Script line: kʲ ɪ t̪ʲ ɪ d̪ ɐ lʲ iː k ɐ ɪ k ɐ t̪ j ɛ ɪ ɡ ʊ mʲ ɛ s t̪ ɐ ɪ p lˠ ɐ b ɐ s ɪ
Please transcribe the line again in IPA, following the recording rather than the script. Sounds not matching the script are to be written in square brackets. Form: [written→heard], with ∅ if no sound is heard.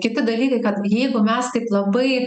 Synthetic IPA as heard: kʲ ɪ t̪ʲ ɪ d̪ ɐ lʲ iː k ɐ ɪ k ɐ t̪ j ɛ ɪ ɡ ʊ mʲ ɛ s t̪ ɐ ɪ p lˠ ɐ b ɐ [s→∅] ɪ